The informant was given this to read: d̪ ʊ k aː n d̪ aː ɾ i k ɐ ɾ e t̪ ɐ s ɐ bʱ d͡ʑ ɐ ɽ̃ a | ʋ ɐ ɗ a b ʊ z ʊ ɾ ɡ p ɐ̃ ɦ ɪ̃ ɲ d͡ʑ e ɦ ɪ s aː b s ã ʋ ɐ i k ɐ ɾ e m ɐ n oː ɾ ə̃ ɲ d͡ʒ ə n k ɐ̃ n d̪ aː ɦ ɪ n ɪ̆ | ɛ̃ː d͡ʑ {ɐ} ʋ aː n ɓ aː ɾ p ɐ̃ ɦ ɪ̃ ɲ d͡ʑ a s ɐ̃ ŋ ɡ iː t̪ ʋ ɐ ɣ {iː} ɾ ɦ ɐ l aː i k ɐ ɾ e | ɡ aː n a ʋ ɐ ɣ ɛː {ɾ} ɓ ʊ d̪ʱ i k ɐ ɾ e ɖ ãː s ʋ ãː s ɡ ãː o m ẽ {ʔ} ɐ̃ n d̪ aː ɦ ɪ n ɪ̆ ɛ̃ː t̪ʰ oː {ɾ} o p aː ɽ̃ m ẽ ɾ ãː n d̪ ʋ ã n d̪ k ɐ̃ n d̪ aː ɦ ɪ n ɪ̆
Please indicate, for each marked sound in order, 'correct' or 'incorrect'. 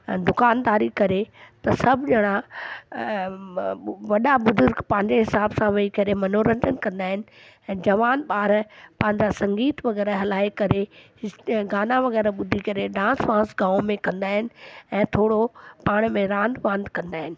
correct, incorrect: ɛː, correct, incorrect: k, incorrect: ɽ

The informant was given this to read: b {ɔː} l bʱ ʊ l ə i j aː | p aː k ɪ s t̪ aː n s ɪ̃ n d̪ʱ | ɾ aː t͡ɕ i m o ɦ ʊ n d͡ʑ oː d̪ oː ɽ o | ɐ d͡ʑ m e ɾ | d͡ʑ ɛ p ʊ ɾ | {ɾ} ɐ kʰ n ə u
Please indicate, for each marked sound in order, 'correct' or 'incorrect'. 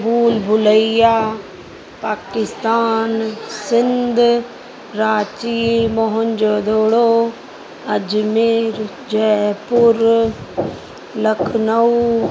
incorrect: uː, incorrect: l

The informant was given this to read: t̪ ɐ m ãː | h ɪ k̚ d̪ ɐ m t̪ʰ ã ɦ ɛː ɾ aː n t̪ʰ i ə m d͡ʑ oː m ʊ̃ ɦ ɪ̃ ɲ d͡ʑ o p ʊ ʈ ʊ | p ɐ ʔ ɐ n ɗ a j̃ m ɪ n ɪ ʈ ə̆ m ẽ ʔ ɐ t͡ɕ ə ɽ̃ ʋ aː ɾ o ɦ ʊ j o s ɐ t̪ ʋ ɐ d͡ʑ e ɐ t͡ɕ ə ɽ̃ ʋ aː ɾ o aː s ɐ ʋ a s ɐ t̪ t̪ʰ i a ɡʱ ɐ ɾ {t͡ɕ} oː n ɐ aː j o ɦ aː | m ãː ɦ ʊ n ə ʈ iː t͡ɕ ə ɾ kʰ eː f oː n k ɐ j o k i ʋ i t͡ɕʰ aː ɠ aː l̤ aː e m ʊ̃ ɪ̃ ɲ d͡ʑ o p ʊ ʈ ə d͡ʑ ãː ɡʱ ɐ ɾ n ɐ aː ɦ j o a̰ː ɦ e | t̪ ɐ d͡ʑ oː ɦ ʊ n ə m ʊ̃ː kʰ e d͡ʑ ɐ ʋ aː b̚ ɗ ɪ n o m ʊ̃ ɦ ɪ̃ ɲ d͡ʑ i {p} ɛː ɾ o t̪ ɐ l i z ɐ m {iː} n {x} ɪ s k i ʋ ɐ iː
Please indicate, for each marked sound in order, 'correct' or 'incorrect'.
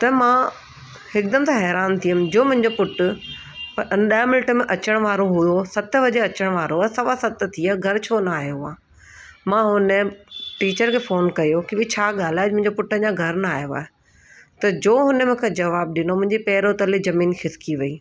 incorrect: t͡ɕʰ, correct, correct, correct

